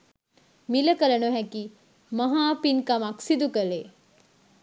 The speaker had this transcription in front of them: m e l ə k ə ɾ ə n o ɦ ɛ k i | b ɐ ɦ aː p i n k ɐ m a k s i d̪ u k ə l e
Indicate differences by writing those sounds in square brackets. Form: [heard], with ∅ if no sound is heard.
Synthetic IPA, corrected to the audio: m [i] l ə k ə [l] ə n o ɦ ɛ k i | [m] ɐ ɦ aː p i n k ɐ m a k s i d̪ u k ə l e